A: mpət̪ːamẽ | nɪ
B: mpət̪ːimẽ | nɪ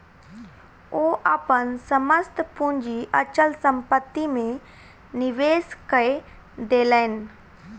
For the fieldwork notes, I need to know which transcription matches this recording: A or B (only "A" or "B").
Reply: B